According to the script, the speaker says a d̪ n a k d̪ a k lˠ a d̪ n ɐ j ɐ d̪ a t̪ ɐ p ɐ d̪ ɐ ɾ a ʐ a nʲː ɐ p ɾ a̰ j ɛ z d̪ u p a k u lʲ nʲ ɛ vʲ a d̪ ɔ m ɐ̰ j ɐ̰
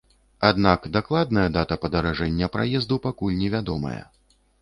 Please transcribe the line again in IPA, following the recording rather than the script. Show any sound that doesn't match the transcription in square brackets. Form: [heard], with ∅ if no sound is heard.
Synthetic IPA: a d̪ n a k d̪ a k lˠ a d̪ n ɐ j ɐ d̪ a t̪ ɐ p ɐ d̪ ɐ ɾ a ʐ [ɛ] nʲː ɐ p ɾ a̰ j ɛ z d̪ u p a k u lʲ nʲ ɛ vʲ a d̪ ɔ m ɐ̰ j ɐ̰